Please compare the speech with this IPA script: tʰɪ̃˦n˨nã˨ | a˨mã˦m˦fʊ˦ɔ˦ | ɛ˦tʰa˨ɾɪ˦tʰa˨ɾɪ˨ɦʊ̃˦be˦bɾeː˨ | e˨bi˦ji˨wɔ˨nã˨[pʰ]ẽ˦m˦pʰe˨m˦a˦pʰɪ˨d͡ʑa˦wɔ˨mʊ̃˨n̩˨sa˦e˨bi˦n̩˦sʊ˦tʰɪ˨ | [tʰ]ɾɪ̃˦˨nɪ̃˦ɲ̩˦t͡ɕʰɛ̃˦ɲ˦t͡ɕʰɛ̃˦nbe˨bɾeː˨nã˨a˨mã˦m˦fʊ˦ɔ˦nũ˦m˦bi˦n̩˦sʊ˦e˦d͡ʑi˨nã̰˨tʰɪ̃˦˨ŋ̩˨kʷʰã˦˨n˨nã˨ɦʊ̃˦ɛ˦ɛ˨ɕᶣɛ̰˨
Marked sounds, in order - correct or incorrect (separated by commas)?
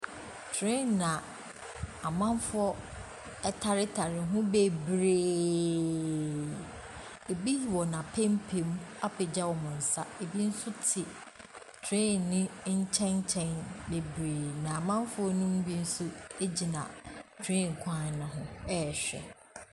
correct, correct